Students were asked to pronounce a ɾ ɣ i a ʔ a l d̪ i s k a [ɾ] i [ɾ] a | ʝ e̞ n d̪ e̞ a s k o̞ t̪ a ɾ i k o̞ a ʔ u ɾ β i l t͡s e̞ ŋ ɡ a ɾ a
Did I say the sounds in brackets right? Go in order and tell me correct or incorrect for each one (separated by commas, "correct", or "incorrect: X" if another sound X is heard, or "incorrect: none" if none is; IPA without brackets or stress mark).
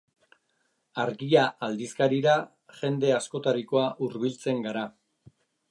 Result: correct, correct